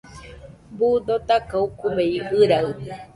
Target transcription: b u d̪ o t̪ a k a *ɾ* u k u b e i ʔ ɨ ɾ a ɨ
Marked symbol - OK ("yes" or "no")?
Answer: no